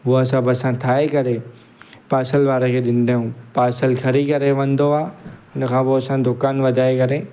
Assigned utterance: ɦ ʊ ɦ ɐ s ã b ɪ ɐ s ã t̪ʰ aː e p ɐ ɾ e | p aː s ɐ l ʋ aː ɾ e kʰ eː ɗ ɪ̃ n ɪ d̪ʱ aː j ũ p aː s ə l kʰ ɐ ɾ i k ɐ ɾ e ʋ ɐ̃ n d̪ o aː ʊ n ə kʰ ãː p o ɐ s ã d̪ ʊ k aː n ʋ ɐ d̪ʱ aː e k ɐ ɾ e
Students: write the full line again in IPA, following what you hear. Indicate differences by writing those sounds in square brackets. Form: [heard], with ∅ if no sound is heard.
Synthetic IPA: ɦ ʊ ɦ ɐ s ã b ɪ ɐ s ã t̪ʰ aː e [k] ɐ ɾ e | p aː s [ə] l ʋ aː ɾ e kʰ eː ɗ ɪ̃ n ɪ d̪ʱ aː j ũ p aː s ə l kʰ ɐ ɾ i k ɐ ɾ e ʋ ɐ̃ n d̪ o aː ʊ n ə kʰ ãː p o ɐ s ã d̪ ʊ k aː n ʋ ɐ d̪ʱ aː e k ɐ ɾ e